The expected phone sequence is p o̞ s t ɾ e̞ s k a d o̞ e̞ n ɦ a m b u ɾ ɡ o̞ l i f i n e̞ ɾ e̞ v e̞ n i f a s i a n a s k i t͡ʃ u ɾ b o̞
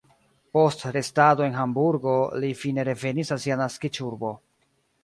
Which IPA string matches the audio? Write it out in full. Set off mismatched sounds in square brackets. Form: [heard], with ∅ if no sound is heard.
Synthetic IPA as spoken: p o̞ s t ɾ e̞ s [t] a d o̞ e̞ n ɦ a m b u ɾ ɡ o̞ l i f i n e̞ ɾ e̞ v e̞ n i [s] a s i a n a s k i t͡ʃ u ɾ b o̞